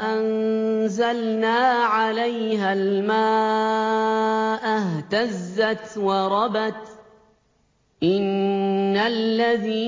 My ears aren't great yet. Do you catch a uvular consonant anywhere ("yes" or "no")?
no